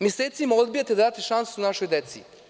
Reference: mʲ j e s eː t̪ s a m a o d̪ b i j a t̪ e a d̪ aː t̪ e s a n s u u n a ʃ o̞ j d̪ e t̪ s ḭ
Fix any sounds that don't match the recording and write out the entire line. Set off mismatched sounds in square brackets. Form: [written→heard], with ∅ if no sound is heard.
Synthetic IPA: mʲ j e s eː t̪ s [a→i] m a o d̪ b i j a t̪ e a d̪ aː t̪ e [s→ʃ] a n s u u n a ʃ o̞ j d̪ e t̪ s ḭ